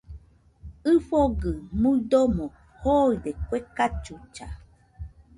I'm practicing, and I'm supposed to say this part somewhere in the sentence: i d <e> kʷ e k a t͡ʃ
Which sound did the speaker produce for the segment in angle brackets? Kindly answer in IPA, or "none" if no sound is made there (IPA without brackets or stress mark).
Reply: e